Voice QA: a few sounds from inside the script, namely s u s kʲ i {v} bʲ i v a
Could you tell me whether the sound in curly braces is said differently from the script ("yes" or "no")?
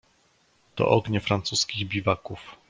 yes